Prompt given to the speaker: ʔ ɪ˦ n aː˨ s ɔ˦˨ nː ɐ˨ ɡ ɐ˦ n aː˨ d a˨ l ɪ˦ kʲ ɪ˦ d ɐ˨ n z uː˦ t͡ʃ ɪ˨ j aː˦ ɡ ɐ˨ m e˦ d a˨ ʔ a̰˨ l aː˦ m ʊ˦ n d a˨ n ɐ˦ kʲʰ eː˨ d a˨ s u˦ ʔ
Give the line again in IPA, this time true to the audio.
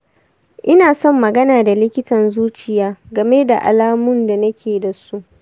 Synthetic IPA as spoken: ʔ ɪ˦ n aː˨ s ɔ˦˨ mː ɐ˨ ɡ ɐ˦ n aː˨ d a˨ l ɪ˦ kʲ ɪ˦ t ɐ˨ n z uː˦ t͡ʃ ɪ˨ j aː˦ ɡ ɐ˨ m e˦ d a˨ ʔ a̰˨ l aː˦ m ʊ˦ n d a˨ n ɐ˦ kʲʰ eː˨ d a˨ s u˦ ʔ